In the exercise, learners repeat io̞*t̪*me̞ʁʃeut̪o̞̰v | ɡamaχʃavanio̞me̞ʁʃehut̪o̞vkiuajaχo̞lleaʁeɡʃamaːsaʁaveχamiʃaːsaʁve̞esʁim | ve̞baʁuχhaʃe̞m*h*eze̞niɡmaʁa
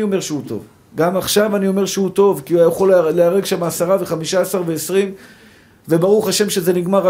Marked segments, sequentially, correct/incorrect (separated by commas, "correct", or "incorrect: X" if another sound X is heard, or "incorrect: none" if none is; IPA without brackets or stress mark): incorrect: none, incorrect: ʃ